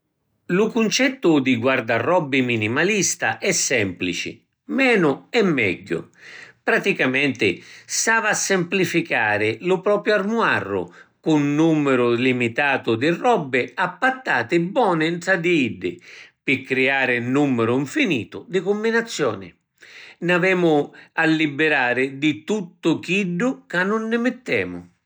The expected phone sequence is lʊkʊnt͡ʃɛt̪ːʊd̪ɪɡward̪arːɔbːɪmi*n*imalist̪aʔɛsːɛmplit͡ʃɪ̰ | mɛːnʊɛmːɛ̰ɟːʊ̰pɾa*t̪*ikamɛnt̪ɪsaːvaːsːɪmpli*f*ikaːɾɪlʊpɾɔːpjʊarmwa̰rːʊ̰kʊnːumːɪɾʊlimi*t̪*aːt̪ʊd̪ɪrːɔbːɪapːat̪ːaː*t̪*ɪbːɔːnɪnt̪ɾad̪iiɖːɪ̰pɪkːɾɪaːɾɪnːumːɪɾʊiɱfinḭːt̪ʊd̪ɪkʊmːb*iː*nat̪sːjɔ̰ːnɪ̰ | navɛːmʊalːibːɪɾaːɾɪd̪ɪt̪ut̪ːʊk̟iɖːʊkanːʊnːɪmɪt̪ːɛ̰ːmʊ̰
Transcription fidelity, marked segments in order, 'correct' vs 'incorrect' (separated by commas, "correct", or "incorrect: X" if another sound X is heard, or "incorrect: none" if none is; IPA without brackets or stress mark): correct, correct, correct, correct, correct, incorrect: i